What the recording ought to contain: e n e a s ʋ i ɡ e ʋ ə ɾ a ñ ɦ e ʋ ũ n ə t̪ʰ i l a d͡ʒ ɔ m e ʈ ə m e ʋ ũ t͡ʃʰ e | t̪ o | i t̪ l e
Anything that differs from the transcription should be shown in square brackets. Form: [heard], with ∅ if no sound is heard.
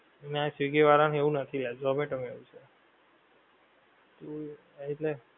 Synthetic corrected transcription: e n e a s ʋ i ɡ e ʋ [a] ɾ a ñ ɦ e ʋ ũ n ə t̪ʰ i l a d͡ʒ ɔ m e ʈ ə m e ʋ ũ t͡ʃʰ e | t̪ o | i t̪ l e